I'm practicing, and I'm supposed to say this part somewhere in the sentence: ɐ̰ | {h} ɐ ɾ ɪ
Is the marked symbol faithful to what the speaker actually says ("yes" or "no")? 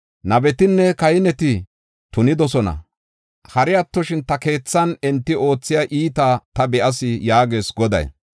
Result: yes